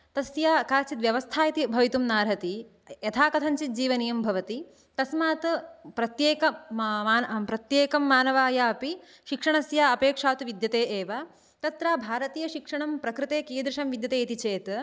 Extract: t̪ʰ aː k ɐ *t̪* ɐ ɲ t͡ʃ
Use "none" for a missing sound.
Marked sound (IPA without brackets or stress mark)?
t̪ʰ